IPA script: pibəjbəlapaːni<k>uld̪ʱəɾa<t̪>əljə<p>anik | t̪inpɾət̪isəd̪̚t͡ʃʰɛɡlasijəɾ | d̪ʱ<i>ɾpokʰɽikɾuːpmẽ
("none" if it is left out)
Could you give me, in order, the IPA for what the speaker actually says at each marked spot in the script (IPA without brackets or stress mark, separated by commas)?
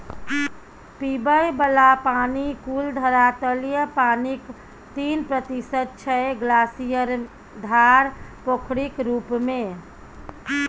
k, t̪, p, a